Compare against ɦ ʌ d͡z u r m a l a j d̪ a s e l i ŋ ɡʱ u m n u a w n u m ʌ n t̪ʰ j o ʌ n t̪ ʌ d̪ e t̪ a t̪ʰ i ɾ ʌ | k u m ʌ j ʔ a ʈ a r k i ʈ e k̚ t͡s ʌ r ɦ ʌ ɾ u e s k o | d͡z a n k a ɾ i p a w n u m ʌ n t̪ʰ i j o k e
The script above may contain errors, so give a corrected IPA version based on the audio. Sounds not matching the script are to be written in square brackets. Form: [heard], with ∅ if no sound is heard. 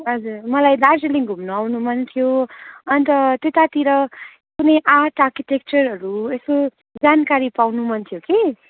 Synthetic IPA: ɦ ʌ d͡z u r m [ʌ] l a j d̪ a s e l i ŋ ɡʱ u m n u a w n u m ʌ n t̪ʰ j o ʌ n t̪ ʌ [t̪] e t̪ a [t̪] i ɾ ʌ | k u [n] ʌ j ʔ a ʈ a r k i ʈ e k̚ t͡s ʌ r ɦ ʌ ɾ u e s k o | d͡z a n k a ɾ i p a w n u m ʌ n t̪ʰ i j o k e